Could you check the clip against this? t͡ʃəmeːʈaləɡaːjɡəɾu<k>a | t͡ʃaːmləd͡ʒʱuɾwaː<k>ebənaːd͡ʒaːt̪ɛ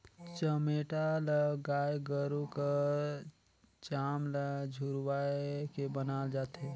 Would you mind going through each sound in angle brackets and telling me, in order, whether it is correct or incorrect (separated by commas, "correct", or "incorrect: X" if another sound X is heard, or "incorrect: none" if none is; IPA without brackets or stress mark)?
correct, correct